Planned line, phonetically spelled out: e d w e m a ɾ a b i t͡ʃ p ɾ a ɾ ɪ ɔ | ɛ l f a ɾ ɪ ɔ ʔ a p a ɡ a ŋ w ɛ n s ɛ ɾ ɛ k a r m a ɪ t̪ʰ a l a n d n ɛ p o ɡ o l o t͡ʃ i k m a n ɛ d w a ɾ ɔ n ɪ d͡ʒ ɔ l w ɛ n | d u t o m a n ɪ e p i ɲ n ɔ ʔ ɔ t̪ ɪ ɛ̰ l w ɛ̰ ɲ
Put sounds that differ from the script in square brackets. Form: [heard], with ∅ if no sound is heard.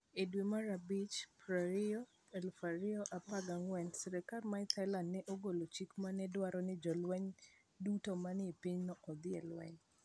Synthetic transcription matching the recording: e d w e m a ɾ a b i t͡ʃ p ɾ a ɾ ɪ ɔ | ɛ l f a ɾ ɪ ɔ ʔ a p a ɡ a ŋ w ɛ n s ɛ ɾ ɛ k a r m a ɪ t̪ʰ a l a n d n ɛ [ʔ] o ɡ o l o t͡ʃ i k m a n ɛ d w a ɾ ɔ n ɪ d͡ʒ ɔ l w ɛ [ɲ] | d u t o m a n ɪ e p i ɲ n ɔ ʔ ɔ [d̪] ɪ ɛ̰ l w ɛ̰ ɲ